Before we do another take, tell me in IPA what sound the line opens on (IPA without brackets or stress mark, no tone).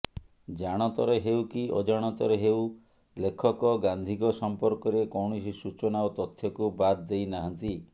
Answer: d͡ʒ